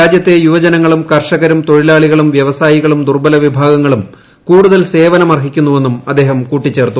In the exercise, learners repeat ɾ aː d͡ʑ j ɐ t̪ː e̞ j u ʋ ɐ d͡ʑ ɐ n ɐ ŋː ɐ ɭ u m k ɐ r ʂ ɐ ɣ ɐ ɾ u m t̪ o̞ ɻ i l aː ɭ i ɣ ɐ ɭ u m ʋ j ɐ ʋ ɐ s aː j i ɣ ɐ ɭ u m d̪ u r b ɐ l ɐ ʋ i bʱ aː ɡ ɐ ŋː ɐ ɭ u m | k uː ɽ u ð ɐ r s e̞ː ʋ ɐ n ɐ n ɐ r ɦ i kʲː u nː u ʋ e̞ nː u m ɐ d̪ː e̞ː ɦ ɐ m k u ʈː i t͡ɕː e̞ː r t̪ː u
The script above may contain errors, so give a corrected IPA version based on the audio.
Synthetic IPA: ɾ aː d͡ʑ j ɐ t̪ː e̞ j u ʋ ɐ d͡ʑ ɐ n ɐ ŋː ɐ ɭ u m k ɐ r ʂ ɐ ɣ ɐ ɾ u m t̪ o̞ ɻ i l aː ɭ i ɣ ɐ ɭ u m ʋ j ɐ ʋ ɐ s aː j i ɣ ɐ ɭ u m d̪ u r b ɐ l ɐ ʋ i bʱ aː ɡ ɐ ŋː ɐ ɭ u m | k uː ɽ u ð ɐ l s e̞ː ʋ ɐ n ɐ m ɐ r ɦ i kʲː u nː u ʋ e̞ nː u m ɐ d̪ː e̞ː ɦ ɐ m k uː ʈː i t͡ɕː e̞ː r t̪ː u

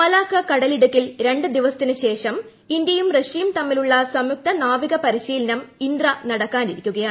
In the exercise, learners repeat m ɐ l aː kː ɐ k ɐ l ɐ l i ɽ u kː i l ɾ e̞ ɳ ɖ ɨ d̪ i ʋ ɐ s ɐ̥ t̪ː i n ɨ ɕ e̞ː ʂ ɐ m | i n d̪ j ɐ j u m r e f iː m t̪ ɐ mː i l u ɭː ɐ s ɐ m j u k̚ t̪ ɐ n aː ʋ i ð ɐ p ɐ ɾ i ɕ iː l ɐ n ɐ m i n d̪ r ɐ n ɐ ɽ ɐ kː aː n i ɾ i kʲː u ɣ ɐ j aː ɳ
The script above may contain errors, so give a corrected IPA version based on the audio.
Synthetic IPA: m ɐ l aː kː ɐ k ɐ ɽ ɐ l i ɽ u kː i l ɾ e̞ ɳ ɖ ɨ d̪ i ʋ ɐ s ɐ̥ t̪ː i n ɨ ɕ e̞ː ʂ ɐ m | i n d̪ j ɐ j u m r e ʂ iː m t̪ ɐ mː i l u ɭː ɐ s ɐ m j u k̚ t̪ ɐ n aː ʋ i ɣ ɐ p ɐ ɾ i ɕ iː l ɐ n ɐ m i n d̪ r ɐ n ɐ ɽ ɐ kː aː n i ɾ i kʲː u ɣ ɐ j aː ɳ

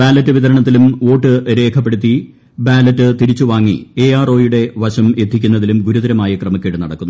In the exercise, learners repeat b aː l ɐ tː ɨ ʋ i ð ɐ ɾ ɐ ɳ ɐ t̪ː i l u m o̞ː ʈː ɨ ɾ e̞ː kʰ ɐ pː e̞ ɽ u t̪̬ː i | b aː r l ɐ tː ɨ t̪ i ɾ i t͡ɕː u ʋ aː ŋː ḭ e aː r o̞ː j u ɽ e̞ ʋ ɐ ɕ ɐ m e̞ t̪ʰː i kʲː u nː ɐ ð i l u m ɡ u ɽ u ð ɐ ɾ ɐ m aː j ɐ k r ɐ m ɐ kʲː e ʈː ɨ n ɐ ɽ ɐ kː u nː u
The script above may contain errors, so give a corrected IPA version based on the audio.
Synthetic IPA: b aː l ɐ tː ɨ ʋ i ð ɐ ɾ ɐ ɳ ɐ t̪ː i l u m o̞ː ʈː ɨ ɾ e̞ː kʰ ɐ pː e̞ ɽ u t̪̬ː i | b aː l ɐ tː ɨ t̪ i ɾ i t͡ɕː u ʋ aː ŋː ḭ e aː r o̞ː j u ɽ e̞ ʋ ɐ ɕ ɐ m e̞ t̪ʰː i kʲː u nː ɐ ð i l u m ɡ u ɾ u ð ɐ ɾ ɐ m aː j ɐ k r ɐ m ɐ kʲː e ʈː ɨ n ɐ ɽ ɐ kː u nː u

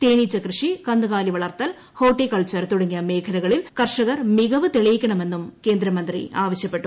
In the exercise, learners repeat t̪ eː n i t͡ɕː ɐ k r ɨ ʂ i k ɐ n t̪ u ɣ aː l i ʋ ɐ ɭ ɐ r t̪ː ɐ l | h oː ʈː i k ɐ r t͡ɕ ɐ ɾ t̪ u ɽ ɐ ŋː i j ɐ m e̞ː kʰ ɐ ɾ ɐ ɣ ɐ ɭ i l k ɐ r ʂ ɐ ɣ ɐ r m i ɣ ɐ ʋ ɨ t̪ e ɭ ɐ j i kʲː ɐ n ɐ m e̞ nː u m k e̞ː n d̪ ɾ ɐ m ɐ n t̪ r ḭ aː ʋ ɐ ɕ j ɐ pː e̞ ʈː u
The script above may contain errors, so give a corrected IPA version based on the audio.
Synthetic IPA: t̪ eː n i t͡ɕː ɐ k r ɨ ʂ i k ɐ n d̪ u ɣ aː l i ʋ ɐ ɭ ɐ r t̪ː ɐ l | h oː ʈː i k ɐ ɭ t͡ɕ ɐ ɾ t̪ u ɽ ɐ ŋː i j ɐ m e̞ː kʰ ɐ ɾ ɐ ɣ ɐ ɭ i l k ɐ r ʂ ɐ ɣ ɐ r m i ɣ ɐ ʋ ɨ t̪ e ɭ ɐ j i kʲː ɐ ɳ ɐ m e̞ nː u m k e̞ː n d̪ ɾ ɐ m ɐ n d̪ r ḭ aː ʋ ɐ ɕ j ɐ pː e̞ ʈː u

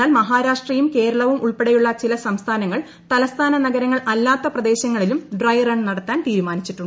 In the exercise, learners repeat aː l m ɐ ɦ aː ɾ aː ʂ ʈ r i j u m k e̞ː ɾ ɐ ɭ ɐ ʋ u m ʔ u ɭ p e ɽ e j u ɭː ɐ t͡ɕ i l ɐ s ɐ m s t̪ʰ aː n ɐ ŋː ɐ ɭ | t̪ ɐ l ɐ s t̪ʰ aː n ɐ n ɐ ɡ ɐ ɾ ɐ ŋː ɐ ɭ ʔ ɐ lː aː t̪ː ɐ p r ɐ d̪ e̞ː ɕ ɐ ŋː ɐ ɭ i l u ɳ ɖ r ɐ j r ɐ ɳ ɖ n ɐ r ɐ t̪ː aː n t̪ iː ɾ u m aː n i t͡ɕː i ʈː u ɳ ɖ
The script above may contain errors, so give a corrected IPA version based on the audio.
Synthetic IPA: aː l m ɐ ɦ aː ɾ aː ʂ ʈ r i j u m k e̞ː ɾ ɐ ɭ ɐ ʋ u m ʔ u ɭ p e ɽ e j u ɭː ɐ t͡ɕ i l ɐ s ɐ m s t̪ʰ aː n ɐ ŋː ɐ ɭ | t̪ ɐ l ɐ s t̪ʰ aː n ɐ n ɐ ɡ ɐ ɾ ɐ ŋː ɐ ɭ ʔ ɐ lː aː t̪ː ɐ p r ɐ d̪ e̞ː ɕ ɐ ŋː ɐ ɭ i l u m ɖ r ɐ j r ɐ ɳ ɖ n ɐ ɽ ɐ t̪ː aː n t̪ iː ɾ u m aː n i t͡ɕː i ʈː u ɳ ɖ

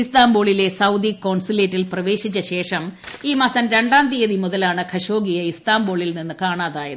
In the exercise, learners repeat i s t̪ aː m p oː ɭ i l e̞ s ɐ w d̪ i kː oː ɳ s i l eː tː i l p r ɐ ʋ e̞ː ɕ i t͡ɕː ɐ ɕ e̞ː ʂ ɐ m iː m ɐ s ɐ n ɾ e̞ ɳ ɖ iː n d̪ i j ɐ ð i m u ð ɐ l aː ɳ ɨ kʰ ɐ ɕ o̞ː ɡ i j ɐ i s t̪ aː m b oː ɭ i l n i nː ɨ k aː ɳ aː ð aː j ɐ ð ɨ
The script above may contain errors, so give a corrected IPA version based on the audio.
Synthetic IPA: i s t̪ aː m b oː ɭ i l e̞ s ɐ w d̪ i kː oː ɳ s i l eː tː i l p r ɐ ʋ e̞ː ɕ i t͡ɕː ɐ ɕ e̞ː ʂ ɐ m iː m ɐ s ɐ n ɾ e̞ ɳ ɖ aː n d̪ i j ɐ ð i m u ð ɐ l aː ɳ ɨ kʰ ɐ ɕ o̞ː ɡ i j ɐ i s t̪ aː m b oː ɭ i l n i nː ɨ k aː ɳ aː ð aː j ɐ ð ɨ

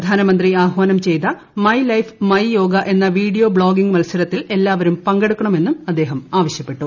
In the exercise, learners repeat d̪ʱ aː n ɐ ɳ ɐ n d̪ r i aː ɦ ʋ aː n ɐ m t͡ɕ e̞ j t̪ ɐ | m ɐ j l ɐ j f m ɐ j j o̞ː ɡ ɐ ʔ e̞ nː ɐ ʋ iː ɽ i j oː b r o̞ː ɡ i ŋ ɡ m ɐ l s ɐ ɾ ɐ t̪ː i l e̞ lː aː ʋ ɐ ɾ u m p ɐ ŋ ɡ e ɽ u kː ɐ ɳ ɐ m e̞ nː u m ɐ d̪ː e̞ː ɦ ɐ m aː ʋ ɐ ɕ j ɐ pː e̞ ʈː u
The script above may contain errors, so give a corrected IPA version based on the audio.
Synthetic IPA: d̪ʱ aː n ɐ m ɐ n d̪ r i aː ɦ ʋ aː n ɐ m t͡ɕ e̞ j t̪ ɐ | m ɐ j l ɐ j f m ɐ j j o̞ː ɡ ɐ ʔ e̞ nː ɐ ʋ iː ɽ i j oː b ɭ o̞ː ɡ i ŋ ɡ m ɐ l s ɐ ɾ ɐ t̪ː i l e̞ lː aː ʋ ɐ ɾ u m p ɐ ŋ ɡ e ɽ u kː ɐ ɳ ɐ m e̞ nː u m ɐ d̪ː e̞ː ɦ ɐ m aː ʋ ɐ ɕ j ɐ pː e̞ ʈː u

